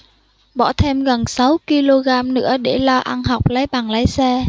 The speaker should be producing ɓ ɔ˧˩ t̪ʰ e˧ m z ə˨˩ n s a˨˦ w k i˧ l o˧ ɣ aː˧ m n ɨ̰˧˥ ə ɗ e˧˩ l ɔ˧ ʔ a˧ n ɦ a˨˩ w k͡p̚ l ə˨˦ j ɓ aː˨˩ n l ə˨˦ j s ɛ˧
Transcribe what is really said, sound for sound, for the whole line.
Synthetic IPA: ɓ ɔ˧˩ t̪ʰ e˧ m ɣ ə˨˩ n s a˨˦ w k i˧ l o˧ ɣ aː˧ m n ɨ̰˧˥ ə ɗ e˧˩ l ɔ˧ ʔ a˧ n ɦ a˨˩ w k͡p̚ l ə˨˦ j ɓ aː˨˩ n l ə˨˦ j s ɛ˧